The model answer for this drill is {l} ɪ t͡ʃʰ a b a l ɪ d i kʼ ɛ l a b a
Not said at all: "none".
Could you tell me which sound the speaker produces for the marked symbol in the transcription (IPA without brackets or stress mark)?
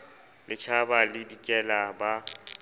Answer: l